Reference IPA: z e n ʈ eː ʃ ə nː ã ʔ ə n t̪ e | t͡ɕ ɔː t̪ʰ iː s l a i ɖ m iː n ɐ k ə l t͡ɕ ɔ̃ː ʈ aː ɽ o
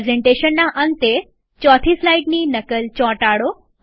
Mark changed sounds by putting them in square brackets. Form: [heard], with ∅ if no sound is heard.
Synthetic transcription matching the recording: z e [ɳ] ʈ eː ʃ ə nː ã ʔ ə n t̪ e | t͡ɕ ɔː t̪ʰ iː s l a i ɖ [n] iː n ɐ k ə l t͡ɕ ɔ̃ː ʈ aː ɽ o